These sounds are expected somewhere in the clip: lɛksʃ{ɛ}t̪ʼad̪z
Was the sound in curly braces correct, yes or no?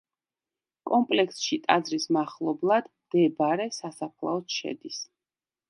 no